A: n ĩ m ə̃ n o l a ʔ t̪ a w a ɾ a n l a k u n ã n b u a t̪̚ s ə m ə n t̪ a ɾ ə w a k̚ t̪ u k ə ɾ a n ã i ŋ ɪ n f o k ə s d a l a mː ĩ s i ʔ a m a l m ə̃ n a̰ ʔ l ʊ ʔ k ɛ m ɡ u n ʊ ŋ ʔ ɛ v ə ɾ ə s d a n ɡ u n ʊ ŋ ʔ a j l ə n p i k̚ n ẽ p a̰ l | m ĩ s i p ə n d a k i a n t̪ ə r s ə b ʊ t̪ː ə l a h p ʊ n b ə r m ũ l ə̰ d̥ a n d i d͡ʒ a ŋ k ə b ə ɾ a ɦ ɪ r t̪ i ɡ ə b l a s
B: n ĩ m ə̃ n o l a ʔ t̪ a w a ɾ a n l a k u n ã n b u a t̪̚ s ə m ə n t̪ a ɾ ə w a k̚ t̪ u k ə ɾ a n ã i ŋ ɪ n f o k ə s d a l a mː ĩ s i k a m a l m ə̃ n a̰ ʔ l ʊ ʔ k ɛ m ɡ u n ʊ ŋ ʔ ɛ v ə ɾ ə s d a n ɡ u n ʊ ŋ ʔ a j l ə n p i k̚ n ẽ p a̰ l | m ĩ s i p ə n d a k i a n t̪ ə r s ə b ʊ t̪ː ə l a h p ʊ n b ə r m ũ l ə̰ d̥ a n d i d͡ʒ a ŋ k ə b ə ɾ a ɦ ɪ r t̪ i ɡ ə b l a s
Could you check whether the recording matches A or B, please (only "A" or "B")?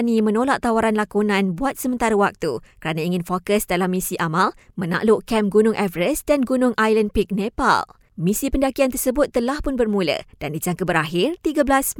A